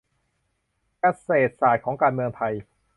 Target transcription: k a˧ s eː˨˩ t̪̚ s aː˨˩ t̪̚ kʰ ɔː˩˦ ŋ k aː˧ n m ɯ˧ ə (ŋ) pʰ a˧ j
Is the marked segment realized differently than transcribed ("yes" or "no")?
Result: no